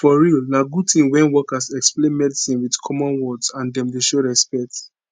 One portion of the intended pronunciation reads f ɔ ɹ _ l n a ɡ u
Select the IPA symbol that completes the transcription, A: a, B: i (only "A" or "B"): B